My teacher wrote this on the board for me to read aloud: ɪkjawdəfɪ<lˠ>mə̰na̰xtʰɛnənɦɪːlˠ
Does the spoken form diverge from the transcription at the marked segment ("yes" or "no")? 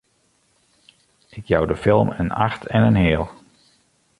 no